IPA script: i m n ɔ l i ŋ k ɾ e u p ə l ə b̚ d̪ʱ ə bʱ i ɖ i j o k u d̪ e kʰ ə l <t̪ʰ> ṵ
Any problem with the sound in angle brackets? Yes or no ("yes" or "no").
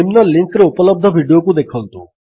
yes